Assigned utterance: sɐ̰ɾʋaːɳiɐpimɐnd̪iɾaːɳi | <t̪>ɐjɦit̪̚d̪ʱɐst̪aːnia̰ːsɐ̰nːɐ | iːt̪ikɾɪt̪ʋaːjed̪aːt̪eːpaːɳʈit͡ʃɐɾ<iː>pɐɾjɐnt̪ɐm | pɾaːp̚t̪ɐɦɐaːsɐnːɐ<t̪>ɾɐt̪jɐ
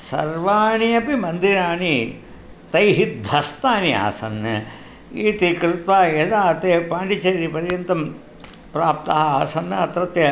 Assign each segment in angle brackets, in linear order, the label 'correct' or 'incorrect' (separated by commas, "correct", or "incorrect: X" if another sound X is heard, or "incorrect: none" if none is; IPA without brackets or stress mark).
correct, incorrect: i, correct